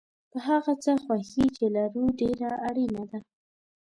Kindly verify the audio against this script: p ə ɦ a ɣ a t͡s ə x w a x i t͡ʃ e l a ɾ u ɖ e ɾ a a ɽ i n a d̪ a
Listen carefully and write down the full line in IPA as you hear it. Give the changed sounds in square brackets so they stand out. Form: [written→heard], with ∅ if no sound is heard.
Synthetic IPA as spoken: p ə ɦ a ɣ a t͡s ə x w a x i t͡ʃ e l a ɾ u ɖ e ɾ a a ɽ i n a d̪ a